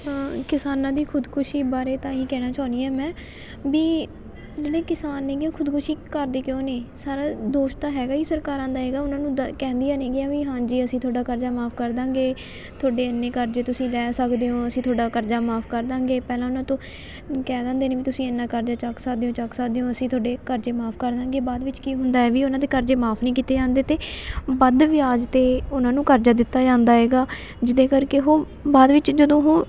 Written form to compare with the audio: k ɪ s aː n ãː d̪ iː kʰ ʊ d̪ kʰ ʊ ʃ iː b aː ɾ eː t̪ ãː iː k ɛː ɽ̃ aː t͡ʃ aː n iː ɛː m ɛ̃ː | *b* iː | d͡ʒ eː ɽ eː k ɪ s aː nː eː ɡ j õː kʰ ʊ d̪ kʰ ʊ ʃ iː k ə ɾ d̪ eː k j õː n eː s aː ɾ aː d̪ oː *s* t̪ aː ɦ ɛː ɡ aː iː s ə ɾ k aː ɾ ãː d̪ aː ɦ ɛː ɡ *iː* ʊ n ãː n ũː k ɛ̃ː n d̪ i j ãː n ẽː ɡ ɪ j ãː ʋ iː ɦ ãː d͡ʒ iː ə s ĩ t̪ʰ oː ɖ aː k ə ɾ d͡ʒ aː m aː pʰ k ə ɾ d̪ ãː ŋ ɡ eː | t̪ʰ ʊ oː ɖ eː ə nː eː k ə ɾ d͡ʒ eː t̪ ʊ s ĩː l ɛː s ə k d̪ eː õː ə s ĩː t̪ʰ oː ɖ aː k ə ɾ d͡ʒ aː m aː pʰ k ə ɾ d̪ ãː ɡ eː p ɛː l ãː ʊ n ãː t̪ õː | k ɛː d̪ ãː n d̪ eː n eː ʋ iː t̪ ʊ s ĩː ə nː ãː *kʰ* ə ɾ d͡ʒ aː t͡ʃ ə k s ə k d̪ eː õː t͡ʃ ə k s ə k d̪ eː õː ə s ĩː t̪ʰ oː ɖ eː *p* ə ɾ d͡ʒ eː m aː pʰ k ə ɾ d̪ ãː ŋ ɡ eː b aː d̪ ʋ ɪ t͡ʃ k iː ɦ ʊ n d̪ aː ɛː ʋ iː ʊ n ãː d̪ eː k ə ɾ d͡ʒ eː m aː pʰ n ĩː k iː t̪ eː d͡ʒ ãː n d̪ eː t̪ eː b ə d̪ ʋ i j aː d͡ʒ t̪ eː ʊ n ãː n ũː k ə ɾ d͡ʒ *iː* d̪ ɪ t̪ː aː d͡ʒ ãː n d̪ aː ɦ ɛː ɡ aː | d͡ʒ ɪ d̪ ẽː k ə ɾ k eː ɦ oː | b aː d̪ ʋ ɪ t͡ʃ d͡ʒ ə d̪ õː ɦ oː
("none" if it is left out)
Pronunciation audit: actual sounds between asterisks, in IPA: b, ʃ, aː, k, k, aː

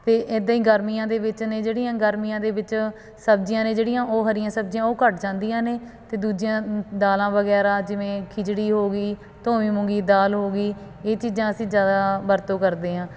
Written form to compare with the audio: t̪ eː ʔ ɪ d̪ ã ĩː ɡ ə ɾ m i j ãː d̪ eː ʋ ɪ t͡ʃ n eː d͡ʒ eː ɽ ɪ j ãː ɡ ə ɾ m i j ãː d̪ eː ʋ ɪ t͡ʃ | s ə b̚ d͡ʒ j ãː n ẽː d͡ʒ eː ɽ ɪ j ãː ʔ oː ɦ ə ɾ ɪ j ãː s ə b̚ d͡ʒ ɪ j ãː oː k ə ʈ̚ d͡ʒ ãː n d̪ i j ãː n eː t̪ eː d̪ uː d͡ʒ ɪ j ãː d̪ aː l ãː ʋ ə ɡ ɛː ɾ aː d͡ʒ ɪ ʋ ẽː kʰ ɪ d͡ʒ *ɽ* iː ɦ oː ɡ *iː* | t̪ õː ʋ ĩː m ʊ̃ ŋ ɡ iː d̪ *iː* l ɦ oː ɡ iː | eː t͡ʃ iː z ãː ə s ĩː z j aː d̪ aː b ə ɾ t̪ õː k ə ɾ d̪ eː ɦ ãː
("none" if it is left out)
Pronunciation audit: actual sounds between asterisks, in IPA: ɽ, iː, aː

